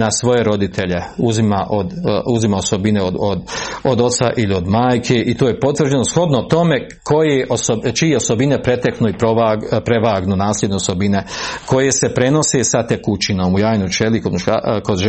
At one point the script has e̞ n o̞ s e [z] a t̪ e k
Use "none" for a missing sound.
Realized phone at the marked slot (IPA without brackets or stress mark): s